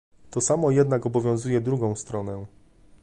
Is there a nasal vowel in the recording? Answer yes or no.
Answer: yes